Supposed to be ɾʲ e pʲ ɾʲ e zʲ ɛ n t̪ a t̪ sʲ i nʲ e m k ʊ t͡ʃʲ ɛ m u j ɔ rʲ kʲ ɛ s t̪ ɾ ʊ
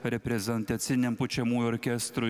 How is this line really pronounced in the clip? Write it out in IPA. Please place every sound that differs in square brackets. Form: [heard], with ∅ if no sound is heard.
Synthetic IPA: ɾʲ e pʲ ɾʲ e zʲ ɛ n t̪ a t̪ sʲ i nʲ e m [p] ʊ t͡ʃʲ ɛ m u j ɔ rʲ kʲ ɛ s t̪ ɾ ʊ